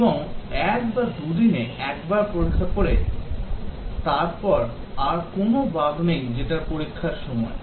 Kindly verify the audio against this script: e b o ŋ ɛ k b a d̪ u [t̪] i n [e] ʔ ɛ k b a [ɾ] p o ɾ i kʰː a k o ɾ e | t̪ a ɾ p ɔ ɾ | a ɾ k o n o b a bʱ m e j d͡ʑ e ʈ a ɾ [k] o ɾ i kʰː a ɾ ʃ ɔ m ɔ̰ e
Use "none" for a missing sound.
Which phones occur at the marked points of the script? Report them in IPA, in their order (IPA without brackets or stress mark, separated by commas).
d̪, e, ɾ, p